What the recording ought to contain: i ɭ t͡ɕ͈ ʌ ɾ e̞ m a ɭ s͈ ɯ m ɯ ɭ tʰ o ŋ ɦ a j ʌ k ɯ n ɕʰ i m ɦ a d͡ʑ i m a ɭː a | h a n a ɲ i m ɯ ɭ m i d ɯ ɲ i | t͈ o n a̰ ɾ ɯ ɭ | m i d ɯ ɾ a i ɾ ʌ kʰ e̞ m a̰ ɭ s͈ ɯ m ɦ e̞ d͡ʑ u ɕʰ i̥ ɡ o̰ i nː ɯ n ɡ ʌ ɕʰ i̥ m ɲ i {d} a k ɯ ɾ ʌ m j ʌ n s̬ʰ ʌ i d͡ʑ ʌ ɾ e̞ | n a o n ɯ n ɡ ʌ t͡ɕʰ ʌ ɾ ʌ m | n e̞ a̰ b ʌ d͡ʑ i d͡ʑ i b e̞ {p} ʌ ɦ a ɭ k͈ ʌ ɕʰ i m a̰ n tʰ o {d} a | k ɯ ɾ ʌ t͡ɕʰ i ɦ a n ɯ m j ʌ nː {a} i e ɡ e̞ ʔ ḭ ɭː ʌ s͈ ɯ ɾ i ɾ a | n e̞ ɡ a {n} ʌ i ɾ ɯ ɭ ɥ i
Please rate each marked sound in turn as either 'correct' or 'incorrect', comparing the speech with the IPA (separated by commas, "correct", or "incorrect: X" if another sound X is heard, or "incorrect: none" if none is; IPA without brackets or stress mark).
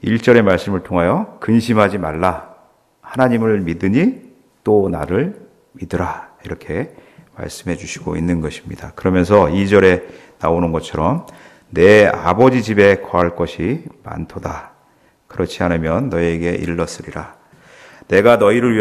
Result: correct, incorrect: k, correct, incorrect: ʌ, correct